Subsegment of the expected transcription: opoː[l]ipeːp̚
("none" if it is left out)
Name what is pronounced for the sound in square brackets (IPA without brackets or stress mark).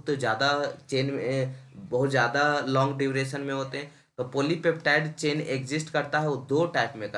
l